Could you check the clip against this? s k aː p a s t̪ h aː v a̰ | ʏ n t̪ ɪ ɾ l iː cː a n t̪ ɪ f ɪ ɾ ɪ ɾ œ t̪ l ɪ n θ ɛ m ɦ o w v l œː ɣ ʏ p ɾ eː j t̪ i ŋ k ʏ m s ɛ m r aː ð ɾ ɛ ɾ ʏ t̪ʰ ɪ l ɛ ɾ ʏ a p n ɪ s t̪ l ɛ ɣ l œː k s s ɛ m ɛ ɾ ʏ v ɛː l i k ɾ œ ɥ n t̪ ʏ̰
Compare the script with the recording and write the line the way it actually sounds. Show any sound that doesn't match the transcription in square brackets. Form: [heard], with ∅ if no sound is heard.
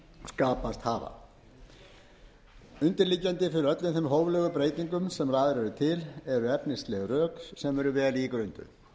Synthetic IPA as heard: s k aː p a s t̪ h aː v a̰ | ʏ n t̪ ɪ ɾ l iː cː a n t̪ ɪ f ɪ ɾ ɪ ɾ œ t̪ l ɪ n θ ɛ m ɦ o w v l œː ɣ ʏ p ɾ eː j t̪ i ŋ k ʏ m s ɛ m r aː ð ɾ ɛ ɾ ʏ t̪ʰ ɪ l ɛ ɾ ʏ [ɛ] p n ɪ s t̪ l ɛ ɣ [r] œː k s s ɛ m ɛ ɾ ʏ v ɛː l i k ɾ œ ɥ n t̪ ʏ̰

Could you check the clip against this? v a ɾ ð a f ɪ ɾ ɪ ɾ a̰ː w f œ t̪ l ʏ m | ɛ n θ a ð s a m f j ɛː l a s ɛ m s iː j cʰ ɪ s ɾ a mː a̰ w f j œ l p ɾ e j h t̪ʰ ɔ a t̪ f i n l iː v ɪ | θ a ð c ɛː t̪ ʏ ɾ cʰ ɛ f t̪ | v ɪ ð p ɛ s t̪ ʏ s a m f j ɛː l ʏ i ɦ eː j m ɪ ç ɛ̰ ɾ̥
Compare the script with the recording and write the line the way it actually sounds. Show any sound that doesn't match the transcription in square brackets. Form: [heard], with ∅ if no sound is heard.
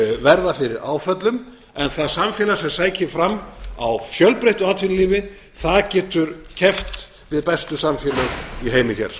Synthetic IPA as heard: v [ɛ] ɾ ð a f ɪ ɾ ɪ ɾ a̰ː w f œ t̪ l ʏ m | ɛ n θ a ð s a m f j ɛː l a s ɛ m s [aː] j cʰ ɪ [f] ɾ a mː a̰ w f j œ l p ɾ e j h [t̪] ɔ a t̪ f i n l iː v ɪ | θ a ð c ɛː t̪ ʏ ɾ cʰ ɛ f t̪ | v ɪ ð p ɛ s t̪ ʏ s a m f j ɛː l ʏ i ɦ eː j m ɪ ç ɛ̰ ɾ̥

